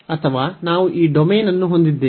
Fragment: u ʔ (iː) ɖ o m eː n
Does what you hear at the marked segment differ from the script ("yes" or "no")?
no